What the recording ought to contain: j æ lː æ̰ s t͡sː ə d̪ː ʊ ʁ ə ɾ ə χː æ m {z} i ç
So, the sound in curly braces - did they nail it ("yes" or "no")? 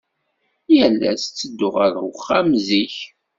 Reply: yes